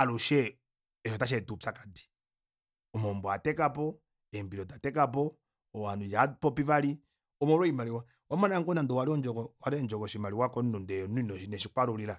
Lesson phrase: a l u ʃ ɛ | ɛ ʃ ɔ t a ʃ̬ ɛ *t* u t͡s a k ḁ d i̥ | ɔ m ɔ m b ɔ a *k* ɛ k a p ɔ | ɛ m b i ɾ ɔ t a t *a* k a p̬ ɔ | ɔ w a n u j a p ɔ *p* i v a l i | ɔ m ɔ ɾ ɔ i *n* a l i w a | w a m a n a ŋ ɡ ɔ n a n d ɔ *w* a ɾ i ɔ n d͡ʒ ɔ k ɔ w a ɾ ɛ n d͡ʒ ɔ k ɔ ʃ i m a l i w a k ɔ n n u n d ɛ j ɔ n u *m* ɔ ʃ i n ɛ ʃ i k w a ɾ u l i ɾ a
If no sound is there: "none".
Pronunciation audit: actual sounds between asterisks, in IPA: t, t, ɛ, p, m, w, n

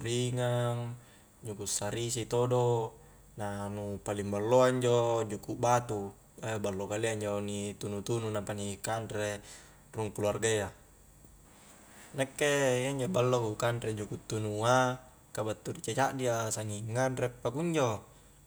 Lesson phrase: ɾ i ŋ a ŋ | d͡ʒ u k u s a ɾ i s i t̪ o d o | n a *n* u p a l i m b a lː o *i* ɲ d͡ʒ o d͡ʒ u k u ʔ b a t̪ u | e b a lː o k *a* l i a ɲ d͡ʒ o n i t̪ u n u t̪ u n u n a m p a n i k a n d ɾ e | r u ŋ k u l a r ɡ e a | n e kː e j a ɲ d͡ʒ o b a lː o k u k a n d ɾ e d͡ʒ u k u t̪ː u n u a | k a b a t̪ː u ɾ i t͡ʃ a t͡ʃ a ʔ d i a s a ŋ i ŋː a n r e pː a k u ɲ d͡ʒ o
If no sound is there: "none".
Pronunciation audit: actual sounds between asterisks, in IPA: n, a, a

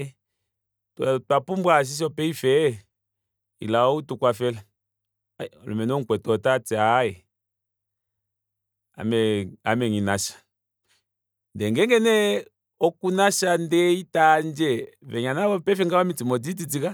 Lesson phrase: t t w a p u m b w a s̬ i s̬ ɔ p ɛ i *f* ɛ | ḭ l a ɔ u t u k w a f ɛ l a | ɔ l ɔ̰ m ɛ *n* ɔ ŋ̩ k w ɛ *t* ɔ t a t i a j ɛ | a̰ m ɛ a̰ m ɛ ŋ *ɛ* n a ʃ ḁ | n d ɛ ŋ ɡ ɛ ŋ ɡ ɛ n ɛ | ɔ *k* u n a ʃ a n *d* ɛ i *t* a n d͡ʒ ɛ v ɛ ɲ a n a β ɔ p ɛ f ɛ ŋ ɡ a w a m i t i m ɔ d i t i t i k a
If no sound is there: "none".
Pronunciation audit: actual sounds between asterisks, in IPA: f, n, t, i, k, d, t

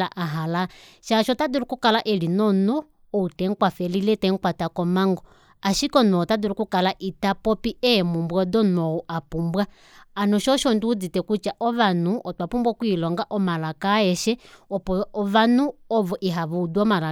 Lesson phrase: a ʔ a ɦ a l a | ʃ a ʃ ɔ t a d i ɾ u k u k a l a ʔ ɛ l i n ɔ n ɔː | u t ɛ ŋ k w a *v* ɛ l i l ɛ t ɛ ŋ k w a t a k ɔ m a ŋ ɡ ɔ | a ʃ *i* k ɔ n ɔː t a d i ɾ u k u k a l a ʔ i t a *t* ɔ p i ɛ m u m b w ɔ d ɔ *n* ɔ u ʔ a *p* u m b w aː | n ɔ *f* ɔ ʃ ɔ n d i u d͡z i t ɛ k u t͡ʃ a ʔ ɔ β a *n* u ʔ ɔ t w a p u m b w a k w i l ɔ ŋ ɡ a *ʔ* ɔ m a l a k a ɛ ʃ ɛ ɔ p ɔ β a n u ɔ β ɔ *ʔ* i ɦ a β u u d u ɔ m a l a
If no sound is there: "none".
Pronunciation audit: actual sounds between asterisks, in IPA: f, i, p, n, p, ʃ, n, ʔ, ʔ

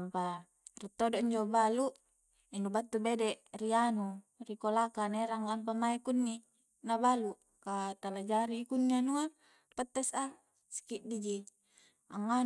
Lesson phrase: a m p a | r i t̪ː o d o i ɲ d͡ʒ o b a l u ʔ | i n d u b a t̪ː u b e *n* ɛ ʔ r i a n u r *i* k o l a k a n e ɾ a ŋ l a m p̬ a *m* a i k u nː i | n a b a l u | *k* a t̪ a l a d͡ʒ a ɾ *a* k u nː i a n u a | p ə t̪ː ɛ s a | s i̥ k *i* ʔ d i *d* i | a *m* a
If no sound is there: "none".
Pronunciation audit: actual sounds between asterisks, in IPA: d, i, m, k, i, i, d͡ʒ, ŋ

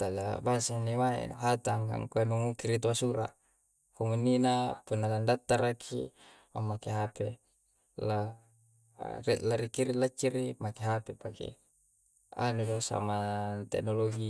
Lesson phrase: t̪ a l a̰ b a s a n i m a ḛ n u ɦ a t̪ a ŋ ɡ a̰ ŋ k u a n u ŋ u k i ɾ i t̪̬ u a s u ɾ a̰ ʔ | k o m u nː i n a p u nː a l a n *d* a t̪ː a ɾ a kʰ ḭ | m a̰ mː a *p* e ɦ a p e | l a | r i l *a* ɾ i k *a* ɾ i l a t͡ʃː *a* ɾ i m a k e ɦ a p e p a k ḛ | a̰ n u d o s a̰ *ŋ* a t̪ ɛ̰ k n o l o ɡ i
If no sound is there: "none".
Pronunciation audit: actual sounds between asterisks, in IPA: d, k, a, i, i, m

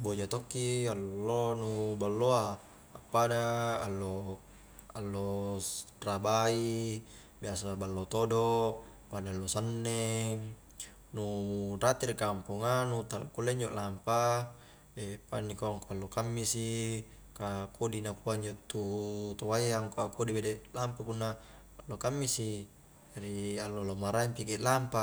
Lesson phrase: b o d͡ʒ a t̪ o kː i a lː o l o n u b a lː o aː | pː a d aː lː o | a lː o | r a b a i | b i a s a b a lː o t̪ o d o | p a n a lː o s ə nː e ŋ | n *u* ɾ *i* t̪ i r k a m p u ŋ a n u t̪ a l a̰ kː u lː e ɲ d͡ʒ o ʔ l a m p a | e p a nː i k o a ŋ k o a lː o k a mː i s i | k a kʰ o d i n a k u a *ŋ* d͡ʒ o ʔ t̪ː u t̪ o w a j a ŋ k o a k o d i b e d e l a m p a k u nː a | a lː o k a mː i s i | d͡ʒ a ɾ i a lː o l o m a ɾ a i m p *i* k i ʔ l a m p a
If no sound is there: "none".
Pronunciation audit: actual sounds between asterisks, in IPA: u, a, ɲ, i

